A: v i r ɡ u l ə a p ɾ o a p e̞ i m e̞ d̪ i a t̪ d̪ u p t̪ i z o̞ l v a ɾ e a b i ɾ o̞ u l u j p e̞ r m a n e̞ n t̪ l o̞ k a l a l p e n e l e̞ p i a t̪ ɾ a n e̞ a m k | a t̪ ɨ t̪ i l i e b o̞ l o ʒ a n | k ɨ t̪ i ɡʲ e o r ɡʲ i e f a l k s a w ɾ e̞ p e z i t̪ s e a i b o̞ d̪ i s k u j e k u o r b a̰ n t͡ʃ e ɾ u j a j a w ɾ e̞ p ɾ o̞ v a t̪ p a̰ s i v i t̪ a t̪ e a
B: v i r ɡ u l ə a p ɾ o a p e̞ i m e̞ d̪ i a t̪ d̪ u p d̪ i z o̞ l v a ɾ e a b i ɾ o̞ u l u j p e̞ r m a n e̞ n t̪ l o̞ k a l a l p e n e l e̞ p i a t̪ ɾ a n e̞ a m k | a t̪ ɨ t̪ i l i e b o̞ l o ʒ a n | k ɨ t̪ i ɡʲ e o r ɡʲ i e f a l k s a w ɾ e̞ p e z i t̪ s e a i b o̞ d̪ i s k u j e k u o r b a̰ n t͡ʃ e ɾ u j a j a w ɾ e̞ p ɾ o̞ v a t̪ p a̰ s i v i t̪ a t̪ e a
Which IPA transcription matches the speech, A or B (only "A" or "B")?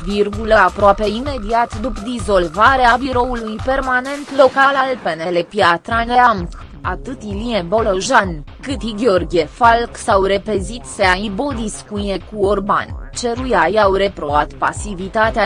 B